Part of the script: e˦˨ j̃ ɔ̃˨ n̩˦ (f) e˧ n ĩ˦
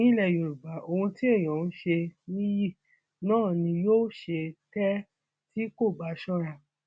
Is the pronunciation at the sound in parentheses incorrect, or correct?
incorrect